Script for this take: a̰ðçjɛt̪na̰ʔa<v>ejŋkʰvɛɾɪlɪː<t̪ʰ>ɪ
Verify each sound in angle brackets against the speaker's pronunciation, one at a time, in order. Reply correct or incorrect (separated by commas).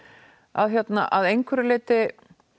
incorrect, incorrect